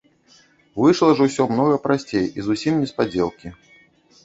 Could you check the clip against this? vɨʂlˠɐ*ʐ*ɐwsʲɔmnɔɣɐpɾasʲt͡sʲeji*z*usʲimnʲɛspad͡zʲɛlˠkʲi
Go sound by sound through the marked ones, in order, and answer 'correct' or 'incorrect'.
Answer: correct, correct

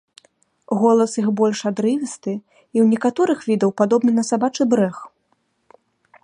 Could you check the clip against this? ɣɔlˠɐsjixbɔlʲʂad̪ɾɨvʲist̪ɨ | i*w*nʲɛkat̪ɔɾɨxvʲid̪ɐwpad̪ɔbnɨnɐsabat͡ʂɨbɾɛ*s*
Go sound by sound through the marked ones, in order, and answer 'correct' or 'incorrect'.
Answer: correct, incorrect: x

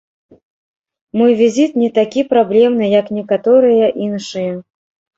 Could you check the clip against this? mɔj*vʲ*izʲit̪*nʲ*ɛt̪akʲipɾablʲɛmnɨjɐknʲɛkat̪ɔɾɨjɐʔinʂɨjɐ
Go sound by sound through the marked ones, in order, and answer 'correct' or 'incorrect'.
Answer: correct, correct

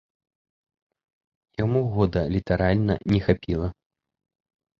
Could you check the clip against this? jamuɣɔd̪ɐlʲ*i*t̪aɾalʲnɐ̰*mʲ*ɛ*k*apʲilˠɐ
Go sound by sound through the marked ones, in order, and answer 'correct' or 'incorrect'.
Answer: correct, incorrect: nʲ, incorrect: x

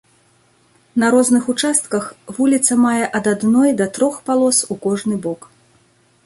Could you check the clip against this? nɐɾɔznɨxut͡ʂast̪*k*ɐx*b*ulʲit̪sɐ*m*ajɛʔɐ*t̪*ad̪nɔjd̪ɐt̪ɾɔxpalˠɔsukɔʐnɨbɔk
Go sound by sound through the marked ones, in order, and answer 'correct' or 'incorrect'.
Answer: correct, incorrect: v, correct, incorrect: d̪

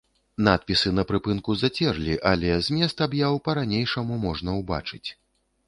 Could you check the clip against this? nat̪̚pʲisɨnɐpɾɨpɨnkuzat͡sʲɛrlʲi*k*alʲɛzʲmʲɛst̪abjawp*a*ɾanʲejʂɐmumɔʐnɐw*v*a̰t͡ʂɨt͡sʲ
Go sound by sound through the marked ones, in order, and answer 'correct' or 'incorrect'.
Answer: incorrect: ʔ, incorrect: ɐ, incorrect: b

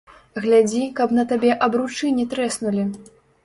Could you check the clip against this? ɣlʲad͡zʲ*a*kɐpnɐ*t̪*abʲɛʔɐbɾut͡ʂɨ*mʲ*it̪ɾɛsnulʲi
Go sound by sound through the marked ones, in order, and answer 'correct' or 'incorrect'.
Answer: incorrect: i, correct, incorrect: nʲ

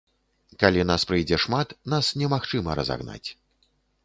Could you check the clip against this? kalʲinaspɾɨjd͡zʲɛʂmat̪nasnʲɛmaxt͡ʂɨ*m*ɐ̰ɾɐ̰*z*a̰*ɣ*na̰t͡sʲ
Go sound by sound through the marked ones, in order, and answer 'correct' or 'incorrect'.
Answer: correct, correct, correct

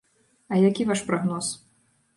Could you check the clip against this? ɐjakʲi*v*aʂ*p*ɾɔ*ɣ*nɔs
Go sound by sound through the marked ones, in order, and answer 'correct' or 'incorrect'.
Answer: correct, correct, correct

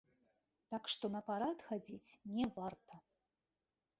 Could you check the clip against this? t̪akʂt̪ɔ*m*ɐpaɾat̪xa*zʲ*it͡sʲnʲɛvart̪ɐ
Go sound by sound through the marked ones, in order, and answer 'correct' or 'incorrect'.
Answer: incorrect: n, incorrect: d͡zʲ

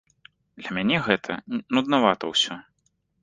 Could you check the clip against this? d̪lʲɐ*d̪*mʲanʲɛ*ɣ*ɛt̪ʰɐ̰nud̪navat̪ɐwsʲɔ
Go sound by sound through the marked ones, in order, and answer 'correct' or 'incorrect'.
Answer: incorrect: none, correct

